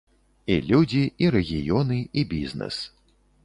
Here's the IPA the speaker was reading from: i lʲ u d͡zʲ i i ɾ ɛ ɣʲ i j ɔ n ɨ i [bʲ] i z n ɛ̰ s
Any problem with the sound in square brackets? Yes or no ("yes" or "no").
no